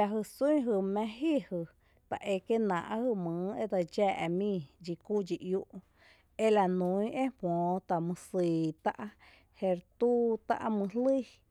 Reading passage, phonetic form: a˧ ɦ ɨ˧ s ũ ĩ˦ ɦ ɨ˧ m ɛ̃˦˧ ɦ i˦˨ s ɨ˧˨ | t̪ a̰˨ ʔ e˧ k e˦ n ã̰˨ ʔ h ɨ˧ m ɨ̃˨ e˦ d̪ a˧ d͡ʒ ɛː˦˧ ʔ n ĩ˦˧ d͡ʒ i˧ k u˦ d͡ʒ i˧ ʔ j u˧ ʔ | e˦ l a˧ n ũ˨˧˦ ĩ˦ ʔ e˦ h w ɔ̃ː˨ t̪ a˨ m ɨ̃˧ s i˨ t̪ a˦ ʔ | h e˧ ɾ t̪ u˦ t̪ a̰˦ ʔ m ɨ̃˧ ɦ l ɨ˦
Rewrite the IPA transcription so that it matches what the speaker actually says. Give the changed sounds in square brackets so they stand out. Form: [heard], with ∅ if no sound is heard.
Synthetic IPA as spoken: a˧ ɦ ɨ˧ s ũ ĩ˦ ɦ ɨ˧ m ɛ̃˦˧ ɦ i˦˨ [h] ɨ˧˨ | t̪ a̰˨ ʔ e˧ k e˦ n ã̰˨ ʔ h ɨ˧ m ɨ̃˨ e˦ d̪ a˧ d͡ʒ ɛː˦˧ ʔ [m] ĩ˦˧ d͡ʒ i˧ k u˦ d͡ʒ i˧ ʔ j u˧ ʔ | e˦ l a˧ n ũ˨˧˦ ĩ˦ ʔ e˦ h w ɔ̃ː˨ t̪ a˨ m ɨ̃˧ s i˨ t̪ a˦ ʔ | h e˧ ɾ t̪ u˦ t̪ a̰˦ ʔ m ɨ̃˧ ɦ l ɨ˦